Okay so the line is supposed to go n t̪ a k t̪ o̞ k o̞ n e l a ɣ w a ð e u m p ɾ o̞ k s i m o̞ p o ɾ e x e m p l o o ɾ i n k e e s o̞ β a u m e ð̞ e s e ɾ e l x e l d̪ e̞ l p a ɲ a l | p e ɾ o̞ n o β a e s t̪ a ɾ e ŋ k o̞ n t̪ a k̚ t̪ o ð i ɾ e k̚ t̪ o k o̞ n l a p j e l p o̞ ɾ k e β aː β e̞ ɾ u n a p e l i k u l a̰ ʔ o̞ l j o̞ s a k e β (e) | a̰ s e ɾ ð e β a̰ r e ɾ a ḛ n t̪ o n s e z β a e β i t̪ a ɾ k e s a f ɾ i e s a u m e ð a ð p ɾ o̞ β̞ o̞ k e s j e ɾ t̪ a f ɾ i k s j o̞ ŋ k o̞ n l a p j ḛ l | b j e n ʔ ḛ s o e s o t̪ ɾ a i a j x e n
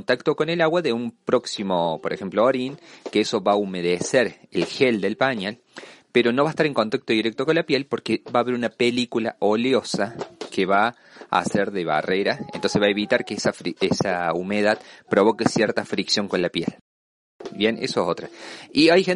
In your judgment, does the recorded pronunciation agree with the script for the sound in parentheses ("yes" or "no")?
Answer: no